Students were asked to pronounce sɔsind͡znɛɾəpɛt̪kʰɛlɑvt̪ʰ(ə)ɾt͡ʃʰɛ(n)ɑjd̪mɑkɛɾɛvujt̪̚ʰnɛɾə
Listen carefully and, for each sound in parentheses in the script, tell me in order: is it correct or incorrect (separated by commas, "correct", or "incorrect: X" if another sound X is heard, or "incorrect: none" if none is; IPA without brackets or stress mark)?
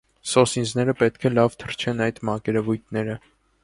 correct, correct